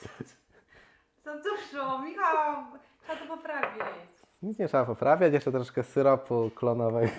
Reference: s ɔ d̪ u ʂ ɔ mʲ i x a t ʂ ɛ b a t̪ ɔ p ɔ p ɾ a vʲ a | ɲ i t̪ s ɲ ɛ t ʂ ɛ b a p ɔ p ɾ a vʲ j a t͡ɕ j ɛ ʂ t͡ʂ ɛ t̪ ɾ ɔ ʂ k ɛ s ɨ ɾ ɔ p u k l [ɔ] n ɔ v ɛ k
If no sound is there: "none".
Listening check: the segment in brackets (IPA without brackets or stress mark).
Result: ɔ